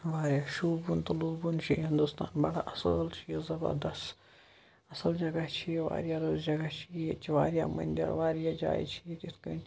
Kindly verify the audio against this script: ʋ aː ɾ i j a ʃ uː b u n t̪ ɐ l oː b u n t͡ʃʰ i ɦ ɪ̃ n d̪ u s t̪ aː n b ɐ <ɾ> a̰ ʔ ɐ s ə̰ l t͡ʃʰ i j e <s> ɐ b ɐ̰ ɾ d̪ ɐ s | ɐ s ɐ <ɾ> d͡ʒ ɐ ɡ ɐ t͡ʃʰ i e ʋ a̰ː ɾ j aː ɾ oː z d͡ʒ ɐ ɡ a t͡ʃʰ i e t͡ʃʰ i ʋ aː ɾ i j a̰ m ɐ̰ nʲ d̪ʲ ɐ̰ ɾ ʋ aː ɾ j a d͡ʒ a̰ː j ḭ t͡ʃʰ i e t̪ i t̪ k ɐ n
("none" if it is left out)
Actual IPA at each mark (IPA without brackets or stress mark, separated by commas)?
ɽ, z, l